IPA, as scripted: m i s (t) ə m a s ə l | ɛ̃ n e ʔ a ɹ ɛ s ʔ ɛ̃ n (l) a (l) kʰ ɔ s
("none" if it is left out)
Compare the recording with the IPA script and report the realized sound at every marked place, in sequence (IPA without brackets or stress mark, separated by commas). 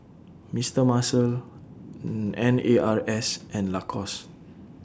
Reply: t, l, none